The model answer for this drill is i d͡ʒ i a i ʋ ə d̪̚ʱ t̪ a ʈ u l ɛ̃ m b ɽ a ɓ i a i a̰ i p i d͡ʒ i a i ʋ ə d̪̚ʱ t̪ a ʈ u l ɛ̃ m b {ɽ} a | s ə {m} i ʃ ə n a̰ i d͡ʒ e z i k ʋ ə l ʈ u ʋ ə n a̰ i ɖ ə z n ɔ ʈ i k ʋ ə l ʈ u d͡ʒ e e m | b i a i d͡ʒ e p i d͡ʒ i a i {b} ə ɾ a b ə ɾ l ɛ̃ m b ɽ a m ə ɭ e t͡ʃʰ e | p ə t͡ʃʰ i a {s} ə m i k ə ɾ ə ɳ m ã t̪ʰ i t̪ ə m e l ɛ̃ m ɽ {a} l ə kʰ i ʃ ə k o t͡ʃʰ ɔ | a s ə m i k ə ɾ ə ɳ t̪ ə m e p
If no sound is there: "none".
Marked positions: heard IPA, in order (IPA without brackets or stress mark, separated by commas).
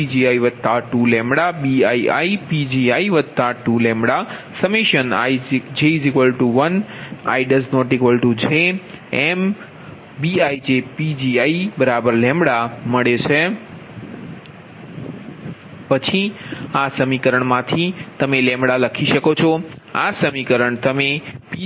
ɽ, m, b, s, a